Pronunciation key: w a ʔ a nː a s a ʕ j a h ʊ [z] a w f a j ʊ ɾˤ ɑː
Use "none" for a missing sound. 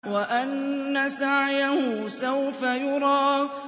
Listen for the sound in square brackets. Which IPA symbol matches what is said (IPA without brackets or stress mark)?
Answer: s